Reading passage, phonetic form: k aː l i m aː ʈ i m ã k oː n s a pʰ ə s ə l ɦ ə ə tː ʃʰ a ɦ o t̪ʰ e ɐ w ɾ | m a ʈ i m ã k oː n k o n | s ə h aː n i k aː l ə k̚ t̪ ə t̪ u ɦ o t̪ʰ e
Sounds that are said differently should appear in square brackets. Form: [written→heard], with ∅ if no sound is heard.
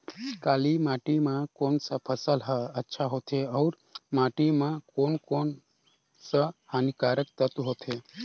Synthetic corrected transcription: k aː l i m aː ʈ i m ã k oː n s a pʰ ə s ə l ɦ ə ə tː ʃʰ a ɦ o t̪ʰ e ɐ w ɾ | m a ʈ i m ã k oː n k o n | s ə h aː n i k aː [l→ɾ] ə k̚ t̪ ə t̪ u ɦ o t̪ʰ e